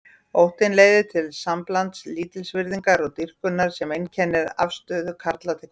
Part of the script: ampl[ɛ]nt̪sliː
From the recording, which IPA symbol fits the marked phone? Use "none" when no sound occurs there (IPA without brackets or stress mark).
a